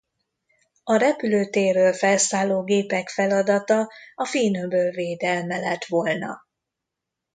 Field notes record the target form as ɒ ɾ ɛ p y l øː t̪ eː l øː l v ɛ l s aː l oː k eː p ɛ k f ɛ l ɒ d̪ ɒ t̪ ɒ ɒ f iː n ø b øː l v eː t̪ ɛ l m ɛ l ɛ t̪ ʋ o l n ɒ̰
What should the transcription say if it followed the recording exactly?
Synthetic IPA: ɒ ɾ ɛ p y l øː t̪ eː r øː l f ɛ l s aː l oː ɡ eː p ɛ k f ɛ l ɒ d̪ ɒ t̪ ɒ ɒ f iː n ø b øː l v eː d̪ ɛ l m ɛ l ɛ t̪ ʋ o l n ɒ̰